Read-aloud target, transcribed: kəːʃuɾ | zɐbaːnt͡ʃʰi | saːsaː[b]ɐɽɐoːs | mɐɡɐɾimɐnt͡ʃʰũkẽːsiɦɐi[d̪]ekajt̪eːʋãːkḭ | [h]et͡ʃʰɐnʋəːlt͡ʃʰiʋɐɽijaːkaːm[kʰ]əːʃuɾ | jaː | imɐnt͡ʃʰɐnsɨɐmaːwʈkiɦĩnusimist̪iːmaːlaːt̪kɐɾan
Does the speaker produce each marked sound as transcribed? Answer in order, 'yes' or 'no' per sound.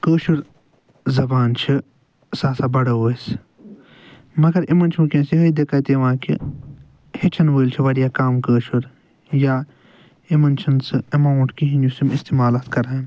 yes, yes, yes, no

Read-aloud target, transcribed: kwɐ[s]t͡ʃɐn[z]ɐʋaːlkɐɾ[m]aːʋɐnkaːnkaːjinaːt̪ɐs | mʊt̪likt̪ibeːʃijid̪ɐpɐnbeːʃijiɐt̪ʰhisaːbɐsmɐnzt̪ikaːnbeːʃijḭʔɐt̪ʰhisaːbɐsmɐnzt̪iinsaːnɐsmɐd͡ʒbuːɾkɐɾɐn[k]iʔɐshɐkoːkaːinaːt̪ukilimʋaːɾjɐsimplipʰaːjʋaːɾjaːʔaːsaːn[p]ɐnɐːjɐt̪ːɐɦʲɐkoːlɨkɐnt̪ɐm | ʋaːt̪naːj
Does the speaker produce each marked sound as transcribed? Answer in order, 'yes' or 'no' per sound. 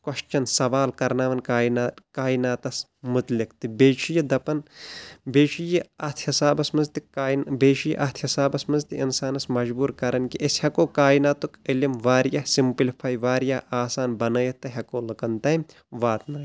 no, no, no, yes, no

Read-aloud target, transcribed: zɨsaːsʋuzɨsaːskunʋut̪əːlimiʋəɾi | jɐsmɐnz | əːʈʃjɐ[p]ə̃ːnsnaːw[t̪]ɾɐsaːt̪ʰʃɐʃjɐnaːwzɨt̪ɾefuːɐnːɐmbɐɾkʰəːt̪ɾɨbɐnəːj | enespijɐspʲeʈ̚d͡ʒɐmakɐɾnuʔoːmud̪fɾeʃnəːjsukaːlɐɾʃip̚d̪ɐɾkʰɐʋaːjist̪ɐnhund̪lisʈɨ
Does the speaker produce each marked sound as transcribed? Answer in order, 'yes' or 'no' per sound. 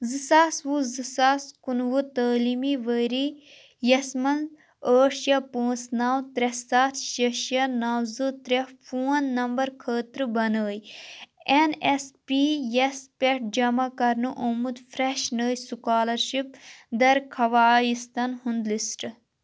yes, yes

